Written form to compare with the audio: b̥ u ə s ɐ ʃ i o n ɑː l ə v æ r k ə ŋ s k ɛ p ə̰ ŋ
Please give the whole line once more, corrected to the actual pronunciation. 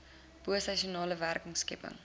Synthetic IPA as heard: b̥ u ə s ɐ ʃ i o n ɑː l ə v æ r k ə ŋ s k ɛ p ə̰ ŋ